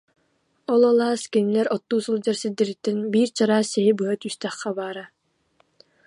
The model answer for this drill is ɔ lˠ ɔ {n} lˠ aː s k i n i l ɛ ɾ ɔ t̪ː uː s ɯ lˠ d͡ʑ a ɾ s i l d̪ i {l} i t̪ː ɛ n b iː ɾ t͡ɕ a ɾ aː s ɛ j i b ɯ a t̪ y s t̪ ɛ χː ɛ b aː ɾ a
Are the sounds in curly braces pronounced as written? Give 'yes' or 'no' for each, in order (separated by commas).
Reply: no, no